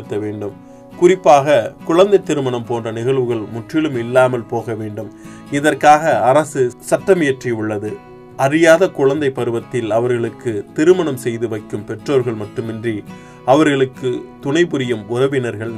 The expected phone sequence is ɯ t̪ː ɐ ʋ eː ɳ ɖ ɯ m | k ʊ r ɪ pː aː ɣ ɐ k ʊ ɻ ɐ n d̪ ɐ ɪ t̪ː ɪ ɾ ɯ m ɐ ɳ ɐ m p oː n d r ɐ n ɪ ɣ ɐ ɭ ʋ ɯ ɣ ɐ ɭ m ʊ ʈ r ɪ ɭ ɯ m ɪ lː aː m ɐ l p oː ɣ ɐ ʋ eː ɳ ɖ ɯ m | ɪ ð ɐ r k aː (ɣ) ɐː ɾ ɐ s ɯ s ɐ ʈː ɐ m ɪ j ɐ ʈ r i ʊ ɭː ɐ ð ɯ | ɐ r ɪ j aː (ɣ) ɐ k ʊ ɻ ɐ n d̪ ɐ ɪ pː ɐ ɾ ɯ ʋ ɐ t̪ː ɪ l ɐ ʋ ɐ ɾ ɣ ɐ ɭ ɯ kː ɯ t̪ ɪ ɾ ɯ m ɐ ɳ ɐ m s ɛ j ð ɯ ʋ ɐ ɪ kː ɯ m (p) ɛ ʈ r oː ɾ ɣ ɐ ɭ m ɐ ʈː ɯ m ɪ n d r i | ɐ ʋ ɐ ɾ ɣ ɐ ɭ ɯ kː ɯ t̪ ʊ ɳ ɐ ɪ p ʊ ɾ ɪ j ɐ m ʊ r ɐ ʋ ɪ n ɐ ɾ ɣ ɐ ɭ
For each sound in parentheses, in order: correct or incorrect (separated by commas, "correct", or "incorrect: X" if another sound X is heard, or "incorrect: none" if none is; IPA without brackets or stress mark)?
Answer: correct, incorrect: ð, correct